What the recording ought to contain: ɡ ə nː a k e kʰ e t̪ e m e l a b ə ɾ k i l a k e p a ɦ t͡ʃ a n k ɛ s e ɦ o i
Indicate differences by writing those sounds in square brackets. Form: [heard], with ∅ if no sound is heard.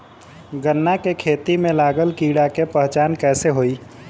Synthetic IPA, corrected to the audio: ɡ ə nː a k e kʰ e t̪ [i] m e l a [ɡ] ə [l] k i [ɽ] a k e p [ə] ɦ t͡ʃ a n k ɛ s e ɦ o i